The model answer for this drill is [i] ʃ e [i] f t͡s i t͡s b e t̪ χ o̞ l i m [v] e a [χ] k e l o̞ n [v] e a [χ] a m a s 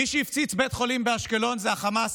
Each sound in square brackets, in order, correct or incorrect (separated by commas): correct, correct, incorrect, incorrect, incorrect, correct